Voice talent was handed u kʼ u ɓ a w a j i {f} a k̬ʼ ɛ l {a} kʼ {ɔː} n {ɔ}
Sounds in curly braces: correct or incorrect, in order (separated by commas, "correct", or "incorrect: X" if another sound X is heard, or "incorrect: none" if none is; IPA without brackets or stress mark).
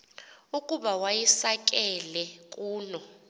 incorrect: s, incorrect: ɛ, incorrect: uː, correct